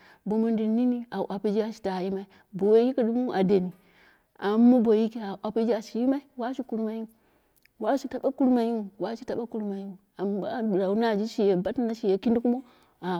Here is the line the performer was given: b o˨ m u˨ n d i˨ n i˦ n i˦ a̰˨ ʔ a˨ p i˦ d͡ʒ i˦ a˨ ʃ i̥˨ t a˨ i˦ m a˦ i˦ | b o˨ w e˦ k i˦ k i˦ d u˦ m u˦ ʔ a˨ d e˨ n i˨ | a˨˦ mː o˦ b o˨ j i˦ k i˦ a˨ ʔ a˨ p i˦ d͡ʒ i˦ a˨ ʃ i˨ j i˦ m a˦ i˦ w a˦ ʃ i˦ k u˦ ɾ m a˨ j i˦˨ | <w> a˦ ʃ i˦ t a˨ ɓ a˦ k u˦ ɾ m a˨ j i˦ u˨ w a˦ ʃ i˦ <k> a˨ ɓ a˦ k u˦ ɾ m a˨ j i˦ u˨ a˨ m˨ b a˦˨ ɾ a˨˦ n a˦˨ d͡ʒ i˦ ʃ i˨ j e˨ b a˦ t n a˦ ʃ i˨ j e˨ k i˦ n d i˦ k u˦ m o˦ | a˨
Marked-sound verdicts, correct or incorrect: correct, incorrect: t

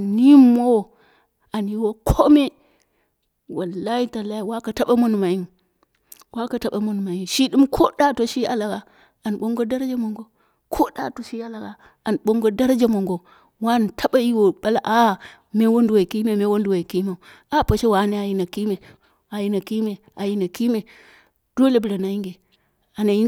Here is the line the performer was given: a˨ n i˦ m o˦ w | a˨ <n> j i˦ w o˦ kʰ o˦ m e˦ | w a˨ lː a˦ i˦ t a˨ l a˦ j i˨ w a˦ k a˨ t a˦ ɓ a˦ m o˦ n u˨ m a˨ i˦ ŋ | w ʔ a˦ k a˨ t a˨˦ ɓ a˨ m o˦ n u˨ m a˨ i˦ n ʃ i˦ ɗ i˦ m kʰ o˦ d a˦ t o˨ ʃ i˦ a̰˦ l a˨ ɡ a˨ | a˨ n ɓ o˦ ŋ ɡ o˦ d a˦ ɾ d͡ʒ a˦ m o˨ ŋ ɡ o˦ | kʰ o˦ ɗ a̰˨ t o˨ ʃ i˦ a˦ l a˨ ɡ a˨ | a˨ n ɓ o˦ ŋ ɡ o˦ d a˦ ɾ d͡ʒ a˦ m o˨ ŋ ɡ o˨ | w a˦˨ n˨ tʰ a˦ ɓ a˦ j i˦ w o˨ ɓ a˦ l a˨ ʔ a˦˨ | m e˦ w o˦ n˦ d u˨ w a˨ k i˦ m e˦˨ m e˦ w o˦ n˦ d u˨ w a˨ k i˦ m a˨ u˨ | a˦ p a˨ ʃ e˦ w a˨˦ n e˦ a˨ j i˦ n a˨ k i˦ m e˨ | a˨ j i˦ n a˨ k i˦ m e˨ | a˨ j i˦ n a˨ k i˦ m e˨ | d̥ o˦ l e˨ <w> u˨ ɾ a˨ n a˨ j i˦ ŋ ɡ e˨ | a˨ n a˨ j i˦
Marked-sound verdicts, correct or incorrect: correct, incorrect: b

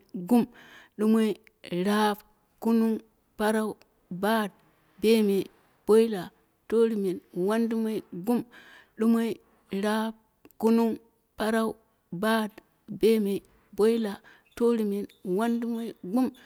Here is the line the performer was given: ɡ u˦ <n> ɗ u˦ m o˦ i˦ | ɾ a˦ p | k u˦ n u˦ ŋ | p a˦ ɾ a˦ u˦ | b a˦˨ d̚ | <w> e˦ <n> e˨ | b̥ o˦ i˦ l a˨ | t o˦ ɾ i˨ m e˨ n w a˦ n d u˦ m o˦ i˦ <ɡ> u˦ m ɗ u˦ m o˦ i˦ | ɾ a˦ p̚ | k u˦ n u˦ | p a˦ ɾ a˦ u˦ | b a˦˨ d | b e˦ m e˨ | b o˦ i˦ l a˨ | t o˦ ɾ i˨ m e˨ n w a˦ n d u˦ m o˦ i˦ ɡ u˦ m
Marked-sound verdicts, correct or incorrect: incorrect: m, incorrect: b, incorrect: m, correct

